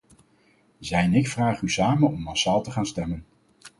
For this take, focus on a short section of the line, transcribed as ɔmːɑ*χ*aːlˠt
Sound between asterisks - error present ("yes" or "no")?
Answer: yes